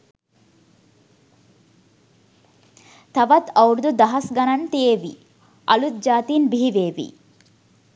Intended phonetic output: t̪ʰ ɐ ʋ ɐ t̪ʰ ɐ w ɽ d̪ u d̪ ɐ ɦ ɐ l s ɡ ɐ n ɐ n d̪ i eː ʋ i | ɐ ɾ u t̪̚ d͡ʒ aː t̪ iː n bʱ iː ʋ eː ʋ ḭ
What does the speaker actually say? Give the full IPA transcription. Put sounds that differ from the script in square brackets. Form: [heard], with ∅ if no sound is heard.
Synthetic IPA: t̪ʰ ɐ ʋ ɐ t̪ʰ ɐ w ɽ d̪ u d̪ ɐ ɦ ɐ [∅] s ɡ ɐ n ɐ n [t̪] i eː ʋ i | ɐ [l] u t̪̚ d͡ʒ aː t̪ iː n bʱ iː ʋ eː ʋ ḭ